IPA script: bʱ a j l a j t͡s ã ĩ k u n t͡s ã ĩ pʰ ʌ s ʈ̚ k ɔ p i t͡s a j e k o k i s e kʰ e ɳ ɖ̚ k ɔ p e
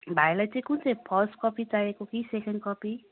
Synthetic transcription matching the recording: bʱ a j l a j t͡s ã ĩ k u n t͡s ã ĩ pʰ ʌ s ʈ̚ k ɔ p i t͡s a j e k o k i s e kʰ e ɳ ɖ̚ k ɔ p i